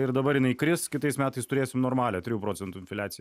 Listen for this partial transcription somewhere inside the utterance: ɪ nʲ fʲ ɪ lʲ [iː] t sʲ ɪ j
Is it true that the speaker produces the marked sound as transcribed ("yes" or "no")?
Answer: no